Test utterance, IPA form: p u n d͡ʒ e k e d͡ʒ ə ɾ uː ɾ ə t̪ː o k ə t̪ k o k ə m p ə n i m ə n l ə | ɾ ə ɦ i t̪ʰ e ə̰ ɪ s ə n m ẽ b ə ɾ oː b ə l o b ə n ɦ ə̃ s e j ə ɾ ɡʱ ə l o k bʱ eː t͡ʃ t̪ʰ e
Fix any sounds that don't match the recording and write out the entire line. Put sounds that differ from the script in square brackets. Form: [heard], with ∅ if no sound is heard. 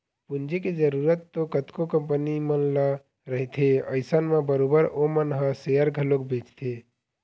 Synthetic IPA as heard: p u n d͡ʒ e k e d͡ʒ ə ɾ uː ɾ ə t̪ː o k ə t̪ k o k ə m p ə n i m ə n l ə | ɾ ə ɦ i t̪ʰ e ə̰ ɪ s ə n m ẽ b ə ɾ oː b ə [ɾ] o [m] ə n ɦ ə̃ s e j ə ɾ ɡʱ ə l o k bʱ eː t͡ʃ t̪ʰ e

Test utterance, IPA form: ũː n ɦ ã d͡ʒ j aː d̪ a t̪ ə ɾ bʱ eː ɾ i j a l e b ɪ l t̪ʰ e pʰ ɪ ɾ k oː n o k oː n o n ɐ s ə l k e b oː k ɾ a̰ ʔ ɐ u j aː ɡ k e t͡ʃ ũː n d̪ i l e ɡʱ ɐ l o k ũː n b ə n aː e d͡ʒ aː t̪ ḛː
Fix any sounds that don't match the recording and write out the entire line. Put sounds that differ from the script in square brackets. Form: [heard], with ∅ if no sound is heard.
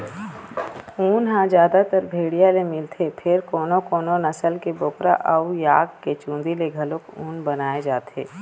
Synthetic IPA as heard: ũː n ɦ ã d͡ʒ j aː d̪ a t̪ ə ɾ bʱ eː [ɽ] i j a l e [m] ɪ l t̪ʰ e pʰ ɪ ɾ k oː n o k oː n o n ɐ s ə l k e b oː k ɾ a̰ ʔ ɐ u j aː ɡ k e t͡ʃ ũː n d̪ i l e ɡʱ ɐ l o k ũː n b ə n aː e d͡ʒ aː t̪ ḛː

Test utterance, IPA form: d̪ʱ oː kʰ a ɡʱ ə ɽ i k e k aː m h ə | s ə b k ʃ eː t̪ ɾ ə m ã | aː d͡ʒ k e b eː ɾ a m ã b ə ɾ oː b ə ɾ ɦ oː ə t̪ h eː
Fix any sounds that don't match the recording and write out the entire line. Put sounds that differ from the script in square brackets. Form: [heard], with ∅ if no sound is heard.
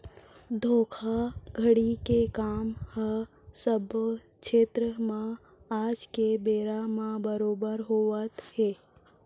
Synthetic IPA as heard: d̪ʱ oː kʰ a ɡʱ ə ɽ i k e k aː m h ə | s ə b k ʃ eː t̪ ɾ ə m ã | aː d͡ʒ k e b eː ɾ a m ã b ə ɾ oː b ə ɾ ɦ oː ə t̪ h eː

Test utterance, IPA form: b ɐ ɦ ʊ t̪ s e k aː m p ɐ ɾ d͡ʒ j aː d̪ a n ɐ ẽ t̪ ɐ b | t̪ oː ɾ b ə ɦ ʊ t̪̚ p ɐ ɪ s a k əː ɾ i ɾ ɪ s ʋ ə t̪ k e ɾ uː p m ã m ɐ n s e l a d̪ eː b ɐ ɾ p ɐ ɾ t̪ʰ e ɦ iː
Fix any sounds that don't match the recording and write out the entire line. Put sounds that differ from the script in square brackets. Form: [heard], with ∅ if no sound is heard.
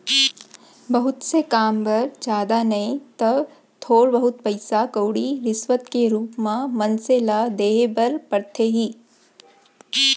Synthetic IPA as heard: b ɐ ɦ ʊ t̪ s e k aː m [b] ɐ ɾ d͡ʒ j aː d̪ a n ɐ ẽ t̪ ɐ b | [t̪ʰ] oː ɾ b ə ɦ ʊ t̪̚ p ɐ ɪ s a k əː [ɽ] i ɾ ɪ s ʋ ə t̪ k e ɾ uː p m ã m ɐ n s e l a d̪ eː b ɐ ɾ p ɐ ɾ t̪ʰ e ɦ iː

